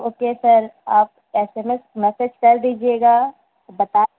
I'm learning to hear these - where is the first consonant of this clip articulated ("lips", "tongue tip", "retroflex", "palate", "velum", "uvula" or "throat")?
velum